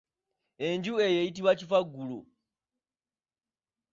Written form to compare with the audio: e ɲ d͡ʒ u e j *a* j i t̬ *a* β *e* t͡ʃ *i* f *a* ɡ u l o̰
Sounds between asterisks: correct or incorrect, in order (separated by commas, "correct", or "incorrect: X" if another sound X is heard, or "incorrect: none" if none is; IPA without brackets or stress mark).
incorrect: e, incorrect: i, incorrect: a, correct, correct